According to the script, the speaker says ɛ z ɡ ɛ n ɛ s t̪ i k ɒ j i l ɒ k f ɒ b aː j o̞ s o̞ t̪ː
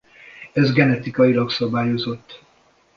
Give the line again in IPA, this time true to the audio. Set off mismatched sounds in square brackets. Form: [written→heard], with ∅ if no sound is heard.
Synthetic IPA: ɛ z ɡ ɛ n ɛ [s→∅] t̪ i k ɒ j i l ɒ k [f→s] ɒ b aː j o̞ [s→z] o̞ t̪ː

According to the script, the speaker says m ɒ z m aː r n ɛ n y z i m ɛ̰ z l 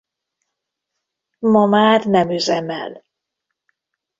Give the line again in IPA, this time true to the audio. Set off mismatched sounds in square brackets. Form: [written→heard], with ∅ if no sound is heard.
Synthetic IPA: m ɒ [z→∅] m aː r n ɛ [n→m] y z [i→ɛ] m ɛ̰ [z→∅] l

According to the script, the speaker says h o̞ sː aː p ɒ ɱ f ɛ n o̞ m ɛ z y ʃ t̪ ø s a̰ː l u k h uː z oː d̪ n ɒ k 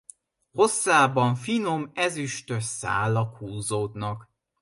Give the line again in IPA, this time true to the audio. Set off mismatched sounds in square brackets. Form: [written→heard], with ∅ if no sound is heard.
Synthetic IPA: h o̞ sː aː [p→b] ɒ ɱ f [ɛ→i] n o̞ m ɛ z y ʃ t̪ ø s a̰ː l [u→ɒ] k h uː z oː d̪ n ɒ k

